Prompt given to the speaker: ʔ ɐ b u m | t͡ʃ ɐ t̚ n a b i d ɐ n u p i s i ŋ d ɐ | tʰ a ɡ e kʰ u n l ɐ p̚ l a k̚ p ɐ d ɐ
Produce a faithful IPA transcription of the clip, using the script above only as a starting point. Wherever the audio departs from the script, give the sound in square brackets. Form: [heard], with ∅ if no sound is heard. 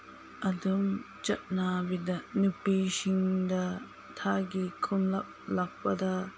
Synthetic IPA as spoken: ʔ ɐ [d] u m | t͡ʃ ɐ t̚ n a b i d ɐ n u p i s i ŋ d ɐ | tʰ a ɡ [i] kʰ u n l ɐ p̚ l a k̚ p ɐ d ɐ